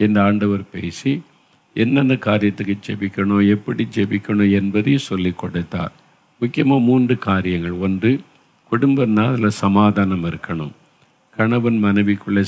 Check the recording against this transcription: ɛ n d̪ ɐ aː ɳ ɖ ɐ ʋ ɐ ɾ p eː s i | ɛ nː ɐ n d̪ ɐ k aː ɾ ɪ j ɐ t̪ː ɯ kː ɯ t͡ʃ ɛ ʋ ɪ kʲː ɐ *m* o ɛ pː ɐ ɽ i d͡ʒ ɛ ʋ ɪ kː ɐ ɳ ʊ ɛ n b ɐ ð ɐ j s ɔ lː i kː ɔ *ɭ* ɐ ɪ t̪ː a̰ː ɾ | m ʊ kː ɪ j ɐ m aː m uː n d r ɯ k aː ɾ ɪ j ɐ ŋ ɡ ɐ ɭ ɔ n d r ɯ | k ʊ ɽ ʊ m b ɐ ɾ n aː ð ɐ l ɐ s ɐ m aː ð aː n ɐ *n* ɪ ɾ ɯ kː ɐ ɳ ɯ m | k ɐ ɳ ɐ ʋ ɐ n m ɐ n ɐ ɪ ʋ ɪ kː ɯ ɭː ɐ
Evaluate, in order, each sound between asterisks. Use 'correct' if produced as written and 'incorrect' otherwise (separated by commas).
incorrect, incorrect, incorrect